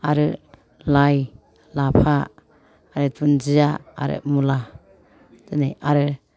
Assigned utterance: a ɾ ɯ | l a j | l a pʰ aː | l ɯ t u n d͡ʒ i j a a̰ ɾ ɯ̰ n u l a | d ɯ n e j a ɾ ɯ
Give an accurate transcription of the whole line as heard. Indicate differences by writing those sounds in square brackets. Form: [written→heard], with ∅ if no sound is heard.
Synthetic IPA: a ɾ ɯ | l a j | l a pʰ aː | [l→ɾ] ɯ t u n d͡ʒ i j a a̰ ɾ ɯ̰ [n→m] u l a | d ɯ n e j a ɾ ɯ